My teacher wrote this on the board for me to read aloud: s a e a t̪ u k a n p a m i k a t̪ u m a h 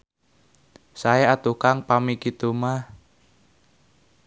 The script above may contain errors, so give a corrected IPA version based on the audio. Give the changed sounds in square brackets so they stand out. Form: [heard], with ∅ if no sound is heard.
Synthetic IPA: s a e a t̪ u k a [ŋ] p a m i k [i] t̪ u m a h